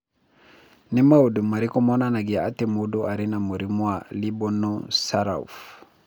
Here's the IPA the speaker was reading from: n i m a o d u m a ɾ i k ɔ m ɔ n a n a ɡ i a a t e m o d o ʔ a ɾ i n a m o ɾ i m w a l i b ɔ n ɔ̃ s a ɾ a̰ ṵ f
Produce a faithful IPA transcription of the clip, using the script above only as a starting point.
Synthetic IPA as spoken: n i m a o d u m a ɾ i k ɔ m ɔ n a n a ɡ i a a t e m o d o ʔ a ɾ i n a m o ɾ i m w a l i b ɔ n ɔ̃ s a ɾ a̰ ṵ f